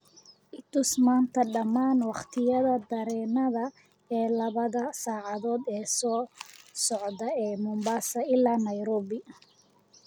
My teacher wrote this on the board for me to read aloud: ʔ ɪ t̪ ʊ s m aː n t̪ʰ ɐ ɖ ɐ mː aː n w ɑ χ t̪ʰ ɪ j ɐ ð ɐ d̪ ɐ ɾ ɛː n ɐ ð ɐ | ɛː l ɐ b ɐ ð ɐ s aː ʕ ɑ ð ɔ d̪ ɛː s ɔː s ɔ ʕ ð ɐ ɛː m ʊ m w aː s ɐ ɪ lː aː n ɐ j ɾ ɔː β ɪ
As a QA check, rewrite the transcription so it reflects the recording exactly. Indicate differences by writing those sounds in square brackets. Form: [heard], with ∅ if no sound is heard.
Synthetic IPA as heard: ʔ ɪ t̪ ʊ s m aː n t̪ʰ ɐ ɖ ɐ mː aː n w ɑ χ t̪ʰ ɪ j ɐ ð ɐ d̪ ɐ ɾ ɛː n ɐ ð ɐ | ɛː l ɐ [β] ɐ ð ɐ s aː ʕ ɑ ð [ɔː] d̪ ɛː s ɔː s ɔ ʕ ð ɐ ɛː m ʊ m [b] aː s ɐ ɪ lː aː n ɐ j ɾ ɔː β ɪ